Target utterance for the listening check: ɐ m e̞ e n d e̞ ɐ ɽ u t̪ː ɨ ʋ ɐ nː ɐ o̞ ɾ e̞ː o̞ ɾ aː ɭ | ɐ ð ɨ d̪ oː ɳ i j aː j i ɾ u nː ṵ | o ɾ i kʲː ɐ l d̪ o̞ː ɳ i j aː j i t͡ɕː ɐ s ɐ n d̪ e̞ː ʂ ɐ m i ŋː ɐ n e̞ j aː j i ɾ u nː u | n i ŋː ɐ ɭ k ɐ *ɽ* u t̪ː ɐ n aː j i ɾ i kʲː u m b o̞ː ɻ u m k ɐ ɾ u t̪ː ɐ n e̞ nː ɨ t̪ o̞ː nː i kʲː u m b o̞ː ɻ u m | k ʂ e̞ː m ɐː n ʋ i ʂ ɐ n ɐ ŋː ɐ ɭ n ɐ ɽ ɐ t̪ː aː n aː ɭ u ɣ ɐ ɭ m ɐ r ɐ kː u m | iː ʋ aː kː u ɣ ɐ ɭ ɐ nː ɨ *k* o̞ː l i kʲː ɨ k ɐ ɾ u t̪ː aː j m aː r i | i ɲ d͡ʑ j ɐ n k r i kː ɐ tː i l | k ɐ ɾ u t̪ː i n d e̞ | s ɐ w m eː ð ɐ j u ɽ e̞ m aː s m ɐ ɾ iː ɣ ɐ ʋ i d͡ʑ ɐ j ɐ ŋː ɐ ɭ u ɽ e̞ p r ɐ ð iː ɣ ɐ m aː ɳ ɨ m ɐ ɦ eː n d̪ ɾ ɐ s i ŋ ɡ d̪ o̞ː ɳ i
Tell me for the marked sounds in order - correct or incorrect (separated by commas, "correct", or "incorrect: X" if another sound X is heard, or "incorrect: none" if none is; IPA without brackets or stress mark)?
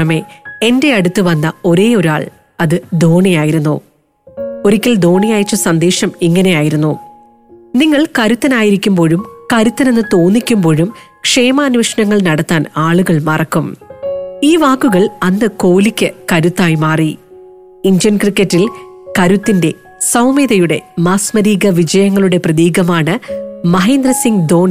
incorrect: ɾ, correct